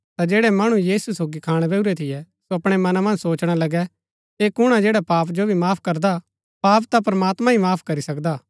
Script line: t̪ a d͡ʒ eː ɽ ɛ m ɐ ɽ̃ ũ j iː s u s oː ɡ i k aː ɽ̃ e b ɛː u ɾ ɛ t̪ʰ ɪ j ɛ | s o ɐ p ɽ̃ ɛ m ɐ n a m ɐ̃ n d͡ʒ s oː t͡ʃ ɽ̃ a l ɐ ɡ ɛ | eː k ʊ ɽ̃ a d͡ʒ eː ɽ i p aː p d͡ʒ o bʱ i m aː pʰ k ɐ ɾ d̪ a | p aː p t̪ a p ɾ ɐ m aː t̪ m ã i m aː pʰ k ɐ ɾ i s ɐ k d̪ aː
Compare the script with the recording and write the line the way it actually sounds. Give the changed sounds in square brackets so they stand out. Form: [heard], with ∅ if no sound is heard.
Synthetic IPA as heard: t̪ a d͡ʒ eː ɽ ɛ m ɐ ɽ̃ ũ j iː s u s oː ɡ i [kʰ] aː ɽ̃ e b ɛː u ɾ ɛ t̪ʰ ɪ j ɛ | s o ɐ p ɽ̃ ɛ m ɐ n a m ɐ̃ n d͡ʒ s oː t͡ʃ ɽ̃ a l ɐ ɡ ɛ | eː k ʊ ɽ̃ a d͡ʒ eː ɽ [a] p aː p d͡ʒ o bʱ i m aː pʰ k ɐ ɾ d̪ a | p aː p t̪ a p ɾ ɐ m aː t̪ m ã i m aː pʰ k ɐ ɾ i s ɐ k d̪ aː